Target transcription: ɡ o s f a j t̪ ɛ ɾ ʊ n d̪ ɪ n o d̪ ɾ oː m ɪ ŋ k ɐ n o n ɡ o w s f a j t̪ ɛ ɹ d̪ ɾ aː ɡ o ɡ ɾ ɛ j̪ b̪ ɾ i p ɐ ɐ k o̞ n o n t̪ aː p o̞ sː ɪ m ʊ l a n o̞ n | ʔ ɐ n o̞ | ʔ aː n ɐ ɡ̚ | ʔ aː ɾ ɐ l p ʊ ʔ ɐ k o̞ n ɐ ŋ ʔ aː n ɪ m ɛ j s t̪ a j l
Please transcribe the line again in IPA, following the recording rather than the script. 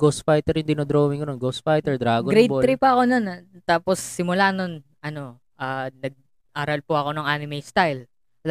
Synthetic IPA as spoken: ɡ o s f a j t̪ ɛ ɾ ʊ n d̪ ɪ n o d̪ ɾ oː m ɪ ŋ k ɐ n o n ɡ o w s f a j t̪ ɛ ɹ d̪ ɾ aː ɡ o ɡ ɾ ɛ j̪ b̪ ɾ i p ɐ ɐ k o̞ n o n t̪ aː p o̞ sː ɪ m ʊ l a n o̞ n | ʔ ɐ n o̞ | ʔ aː n ɐ ɡ̚ | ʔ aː ɾ ɐ l p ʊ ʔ ɐ k o̞ n ɐ ŋ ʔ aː n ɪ m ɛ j s t̪ a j l